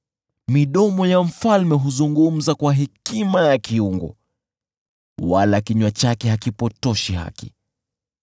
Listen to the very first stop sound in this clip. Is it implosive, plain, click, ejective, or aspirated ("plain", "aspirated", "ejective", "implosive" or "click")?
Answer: implosive